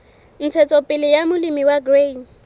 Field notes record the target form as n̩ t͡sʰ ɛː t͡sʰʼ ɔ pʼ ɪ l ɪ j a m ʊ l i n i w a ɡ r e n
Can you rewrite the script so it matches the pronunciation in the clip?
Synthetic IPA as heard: n̩ t͡sʰ ɛ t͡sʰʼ ɔ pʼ ɪ l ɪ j a m ʊ l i m i w a ɡ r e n